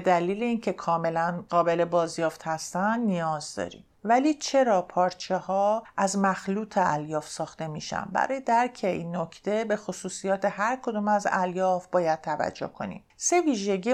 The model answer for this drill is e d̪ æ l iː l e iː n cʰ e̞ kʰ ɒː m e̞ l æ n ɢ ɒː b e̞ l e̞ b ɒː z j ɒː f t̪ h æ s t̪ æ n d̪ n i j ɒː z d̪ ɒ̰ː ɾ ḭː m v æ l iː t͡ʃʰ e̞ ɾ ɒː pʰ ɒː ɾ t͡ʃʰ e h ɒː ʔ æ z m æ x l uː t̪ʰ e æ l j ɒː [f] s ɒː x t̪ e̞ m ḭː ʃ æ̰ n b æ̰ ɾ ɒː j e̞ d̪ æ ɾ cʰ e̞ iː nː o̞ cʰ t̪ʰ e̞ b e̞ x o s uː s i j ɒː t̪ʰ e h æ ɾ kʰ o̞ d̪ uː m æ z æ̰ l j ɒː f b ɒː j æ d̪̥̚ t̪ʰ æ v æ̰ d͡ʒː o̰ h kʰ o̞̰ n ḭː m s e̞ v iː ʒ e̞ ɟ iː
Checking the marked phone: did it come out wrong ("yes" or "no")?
no